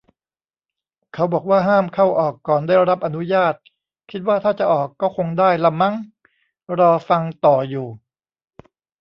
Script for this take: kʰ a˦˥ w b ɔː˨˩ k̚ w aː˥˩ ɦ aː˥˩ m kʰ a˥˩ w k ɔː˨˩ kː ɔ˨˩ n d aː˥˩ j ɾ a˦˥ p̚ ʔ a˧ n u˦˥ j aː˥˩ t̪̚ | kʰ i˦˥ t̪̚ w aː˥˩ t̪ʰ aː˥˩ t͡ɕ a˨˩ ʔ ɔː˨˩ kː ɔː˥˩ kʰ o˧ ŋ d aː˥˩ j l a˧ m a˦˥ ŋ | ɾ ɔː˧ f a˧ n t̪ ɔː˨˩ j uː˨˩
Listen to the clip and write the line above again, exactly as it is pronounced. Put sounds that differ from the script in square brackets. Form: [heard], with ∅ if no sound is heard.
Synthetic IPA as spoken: kʰ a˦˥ w b ɔː˨˩ k̚ w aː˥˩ ɦ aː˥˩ m kʰ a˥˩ w [ʔ] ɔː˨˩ kː [ɔː˨˩] n d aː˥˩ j ɾ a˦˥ p̚ ʔ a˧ n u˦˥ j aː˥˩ t̪̚ | kʰ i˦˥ t̪̚ w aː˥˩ t̪ʰ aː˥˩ t͡ɕ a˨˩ ʔ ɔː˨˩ kː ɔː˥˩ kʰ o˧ ŋ d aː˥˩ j l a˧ m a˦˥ ŋ | ɾ ɔː˧ f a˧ [ŋ] t̪ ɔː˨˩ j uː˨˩